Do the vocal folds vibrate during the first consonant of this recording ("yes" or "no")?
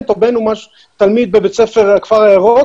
no